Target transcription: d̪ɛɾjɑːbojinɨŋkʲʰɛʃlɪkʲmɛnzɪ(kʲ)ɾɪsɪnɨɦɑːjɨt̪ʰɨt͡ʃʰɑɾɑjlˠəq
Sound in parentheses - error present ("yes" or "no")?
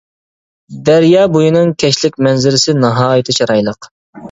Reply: yes